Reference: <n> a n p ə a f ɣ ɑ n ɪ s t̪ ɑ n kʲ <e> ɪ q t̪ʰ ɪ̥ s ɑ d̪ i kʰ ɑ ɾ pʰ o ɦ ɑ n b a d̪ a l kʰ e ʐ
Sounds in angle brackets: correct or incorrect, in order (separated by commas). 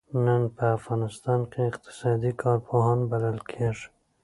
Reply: correct, correct